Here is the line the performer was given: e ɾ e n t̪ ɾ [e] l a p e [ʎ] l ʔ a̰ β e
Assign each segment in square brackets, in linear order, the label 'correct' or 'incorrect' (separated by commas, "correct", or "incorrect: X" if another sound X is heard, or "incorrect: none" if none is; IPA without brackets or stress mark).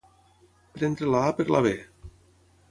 correct, incorrect: ɾ